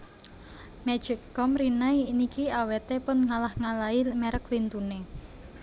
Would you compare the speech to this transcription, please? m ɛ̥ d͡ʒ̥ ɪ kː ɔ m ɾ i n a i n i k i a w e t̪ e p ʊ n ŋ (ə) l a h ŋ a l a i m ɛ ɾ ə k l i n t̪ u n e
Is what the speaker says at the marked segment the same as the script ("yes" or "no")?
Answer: no